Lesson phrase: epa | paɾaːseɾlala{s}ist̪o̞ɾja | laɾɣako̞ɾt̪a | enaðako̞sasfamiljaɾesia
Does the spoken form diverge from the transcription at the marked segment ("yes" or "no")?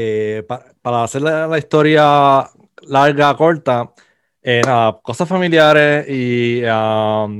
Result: yes